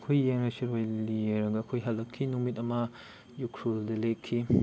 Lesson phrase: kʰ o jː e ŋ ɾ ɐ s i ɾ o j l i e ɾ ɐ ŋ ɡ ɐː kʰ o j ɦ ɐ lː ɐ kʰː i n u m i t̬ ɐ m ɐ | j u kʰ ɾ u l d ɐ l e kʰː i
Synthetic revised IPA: kʰ o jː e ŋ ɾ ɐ s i ɾ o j l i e ɾ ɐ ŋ ɡ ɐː kʰ o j ɦ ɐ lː ɐ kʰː i n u m i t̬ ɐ m ɐ | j u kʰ ɾ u l d ɐ l e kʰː i